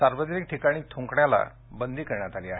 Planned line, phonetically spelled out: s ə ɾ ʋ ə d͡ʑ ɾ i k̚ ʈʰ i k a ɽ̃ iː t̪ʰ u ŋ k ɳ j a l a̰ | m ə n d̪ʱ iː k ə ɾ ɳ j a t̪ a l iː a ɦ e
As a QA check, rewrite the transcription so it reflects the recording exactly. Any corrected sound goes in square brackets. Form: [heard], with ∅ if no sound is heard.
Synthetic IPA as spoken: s [a] ɾ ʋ ə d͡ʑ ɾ i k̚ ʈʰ i k a ɽ̃ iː t̪ʰ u ŋ k ɳ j a l a̰ | [b] ə n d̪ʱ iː k ə ɾ ɳ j a t̪ a l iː a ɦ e